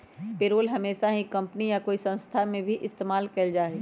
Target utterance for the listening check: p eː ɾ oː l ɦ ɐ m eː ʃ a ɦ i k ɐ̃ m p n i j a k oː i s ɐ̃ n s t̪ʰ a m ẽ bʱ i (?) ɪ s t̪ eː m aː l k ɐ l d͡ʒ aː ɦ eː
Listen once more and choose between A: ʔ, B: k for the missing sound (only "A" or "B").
A